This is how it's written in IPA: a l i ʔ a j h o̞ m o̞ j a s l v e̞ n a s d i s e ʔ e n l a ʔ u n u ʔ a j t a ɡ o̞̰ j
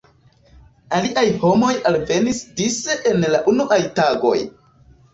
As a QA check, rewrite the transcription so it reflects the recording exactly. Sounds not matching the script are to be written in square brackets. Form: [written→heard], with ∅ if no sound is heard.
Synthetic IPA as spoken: a l i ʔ a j h o̞ m o̞ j a [s→∅] l v e̞ n [a→i] s d i s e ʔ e n l a ʔ u n u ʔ a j t a ɡ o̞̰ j